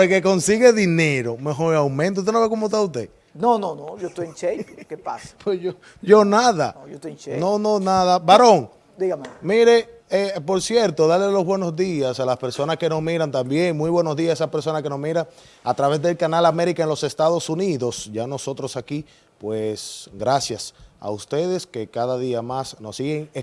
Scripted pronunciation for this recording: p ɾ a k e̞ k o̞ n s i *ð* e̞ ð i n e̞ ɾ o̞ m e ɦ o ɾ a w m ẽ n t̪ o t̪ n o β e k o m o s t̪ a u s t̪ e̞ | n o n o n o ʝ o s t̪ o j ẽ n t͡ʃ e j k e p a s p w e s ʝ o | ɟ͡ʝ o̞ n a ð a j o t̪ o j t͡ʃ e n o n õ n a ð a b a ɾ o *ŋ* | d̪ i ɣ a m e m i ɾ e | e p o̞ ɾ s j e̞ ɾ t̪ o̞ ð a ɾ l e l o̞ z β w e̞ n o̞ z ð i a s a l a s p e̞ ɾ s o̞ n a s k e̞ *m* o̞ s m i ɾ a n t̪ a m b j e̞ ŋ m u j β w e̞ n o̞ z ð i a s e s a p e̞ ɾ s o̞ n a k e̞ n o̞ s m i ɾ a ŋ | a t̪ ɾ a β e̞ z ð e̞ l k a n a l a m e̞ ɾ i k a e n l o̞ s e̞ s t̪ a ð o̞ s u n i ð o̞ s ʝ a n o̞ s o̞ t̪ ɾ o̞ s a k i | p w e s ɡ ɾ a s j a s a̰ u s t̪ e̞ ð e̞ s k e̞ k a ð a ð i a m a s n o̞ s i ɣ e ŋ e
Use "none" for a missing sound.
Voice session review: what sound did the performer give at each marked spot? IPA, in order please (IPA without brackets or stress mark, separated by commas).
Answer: ɣ, ŋ, n